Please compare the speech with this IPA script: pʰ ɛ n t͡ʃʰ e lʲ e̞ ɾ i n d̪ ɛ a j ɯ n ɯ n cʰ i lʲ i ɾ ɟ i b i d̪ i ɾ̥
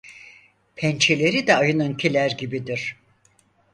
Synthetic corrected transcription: pʰ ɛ n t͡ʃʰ e lʲ e̞ ɾ i d̪ ɛ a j ɯ n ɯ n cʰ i lʲ æ ɾ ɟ i b i d̪ i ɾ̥